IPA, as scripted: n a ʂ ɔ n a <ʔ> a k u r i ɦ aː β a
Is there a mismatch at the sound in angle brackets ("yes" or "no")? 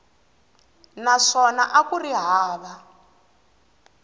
no